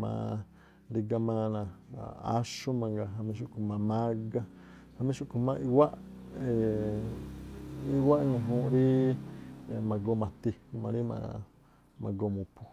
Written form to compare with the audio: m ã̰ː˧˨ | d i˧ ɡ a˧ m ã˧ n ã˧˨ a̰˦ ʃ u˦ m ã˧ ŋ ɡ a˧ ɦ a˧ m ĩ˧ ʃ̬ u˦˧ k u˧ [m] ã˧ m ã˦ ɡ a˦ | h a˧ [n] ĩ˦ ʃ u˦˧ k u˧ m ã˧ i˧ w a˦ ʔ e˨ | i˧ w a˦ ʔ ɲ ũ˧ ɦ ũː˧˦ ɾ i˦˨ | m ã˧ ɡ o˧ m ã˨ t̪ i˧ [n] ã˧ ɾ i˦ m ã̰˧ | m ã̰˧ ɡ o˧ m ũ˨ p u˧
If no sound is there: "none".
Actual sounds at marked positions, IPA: m, m, m

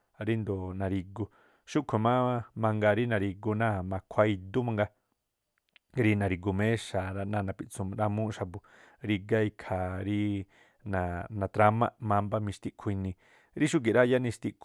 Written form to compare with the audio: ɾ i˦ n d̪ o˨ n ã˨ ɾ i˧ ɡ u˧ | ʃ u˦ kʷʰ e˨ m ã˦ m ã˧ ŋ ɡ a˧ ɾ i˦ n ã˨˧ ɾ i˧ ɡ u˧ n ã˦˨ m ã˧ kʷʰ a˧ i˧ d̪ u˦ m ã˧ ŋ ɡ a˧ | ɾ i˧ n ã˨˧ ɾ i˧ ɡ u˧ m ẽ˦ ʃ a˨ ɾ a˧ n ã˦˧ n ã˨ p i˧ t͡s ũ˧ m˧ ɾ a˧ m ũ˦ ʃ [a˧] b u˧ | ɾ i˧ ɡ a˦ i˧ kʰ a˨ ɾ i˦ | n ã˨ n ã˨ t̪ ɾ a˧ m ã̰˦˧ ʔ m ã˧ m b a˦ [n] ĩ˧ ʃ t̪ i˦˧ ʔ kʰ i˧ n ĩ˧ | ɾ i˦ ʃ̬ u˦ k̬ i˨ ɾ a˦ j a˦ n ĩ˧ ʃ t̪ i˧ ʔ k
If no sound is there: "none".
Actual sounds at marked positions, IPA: a˧, m

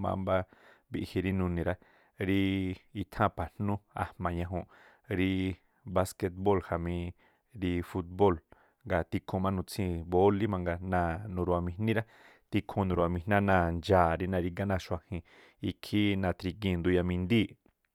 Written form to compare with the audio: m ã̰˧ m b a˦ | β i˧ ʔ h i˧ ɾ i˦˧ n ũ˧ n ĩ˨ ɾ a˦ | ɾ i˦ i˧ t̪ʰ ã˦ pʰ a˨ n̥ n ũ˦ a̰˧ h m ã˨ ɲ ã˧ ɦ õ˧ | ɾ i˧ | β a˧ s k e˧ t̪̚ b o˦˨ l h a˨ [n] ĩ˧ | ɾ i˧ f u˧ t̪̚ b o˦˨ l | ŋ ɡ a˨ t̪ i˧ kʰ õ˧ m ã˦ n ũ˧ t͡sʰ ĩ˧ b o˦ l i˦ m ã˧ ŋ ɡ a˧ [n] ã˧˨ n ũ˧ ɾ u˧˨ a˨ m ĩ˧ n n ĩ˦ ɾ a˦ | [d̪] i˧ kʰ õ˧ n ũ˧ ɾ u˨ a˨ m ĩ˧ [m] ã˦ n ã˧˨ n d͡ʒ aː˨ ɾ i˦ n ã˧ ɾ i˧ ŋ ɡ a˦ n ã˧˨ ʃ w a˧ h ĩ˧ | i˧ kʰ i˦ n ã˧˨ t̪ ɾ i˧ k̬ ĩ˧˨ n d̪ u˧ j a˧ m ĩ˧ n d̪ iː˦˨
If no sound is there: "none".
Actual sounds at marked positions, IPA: m, n, t̪, n

